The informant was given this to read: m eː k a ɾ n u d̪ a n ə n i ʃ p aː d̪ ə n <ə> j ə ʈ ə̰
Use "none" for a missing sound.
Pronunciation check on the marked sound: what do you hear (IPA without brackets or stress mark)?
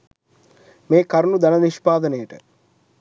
ə